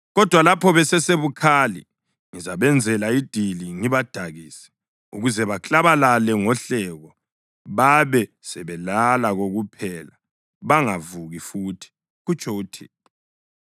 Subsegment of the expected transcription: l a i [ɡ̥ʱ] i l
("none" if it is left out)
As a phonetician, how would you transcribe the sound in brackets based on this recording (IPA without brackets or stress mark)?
d̥ʱ